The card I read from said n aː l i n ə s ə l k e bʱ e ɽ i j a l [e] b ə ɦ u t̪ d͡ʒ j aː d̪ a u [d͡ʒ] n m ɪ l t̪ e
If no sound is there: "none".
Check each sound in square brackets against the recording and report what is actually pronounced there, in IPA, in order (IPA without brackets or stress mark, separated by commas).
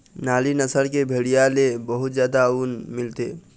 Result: e, none